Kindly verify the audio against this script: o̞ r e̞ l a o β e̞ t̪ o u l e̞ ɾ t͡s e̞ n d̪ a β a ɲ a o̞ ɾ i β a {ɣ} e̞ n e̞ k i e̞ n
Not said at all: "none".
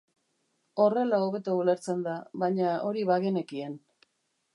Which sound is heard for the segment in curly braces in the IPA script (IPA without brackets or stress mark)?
ɣ